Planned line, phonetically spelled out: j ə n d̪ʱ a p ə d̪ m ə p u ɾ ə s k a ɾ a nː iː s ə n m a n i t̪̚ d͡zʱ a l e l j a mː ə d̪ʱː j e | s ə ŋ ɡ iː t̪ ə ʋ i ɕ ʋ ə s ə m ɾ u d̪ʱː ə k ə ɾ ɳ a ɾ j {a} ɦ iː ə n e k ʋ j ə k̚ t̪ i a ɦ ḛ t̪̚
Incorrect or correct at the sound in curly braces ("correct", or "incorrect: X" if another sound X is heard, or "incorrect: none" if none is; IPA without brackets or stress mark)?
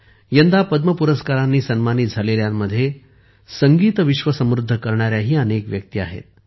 correct